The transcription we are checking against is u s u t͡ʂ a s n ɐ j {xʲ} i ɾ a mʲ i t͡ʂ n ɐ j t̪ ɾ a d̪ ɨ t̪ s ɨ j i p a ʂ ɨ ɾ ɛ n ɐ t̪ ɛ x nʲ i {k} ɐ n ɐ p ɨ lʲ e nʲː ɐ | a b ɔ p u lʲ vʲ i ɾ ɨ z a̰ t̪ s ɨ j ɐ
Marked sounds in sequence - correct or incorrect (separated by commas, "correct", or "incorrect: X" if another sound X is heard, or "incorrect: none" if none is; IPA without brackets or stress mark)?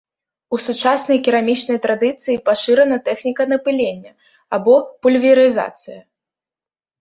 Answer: incorrect: kʲ, correct